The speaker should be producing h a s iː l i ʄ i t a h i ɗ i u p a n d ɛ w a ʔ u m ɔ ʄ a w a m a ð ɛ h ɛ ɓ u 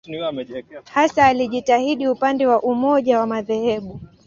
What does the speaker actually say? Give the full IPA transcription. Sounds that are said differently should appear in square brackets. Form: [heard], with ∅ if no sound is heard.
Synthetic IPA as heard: h a s [aː] l i ʄ i t a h i ɗ i u p a n d ɛ w a ʔ u m ɔ ʄ a w a m a ð ɛ h ɛ ɓ u